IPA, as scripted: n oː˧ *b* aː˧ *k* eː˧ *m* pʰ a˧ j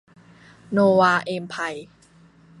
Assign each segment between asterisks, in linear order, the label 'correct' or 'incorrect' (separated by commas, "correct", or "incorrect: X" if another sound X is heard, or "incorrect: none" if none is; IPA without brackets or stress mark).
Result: incorrect: w, incorrect: ʔ, correct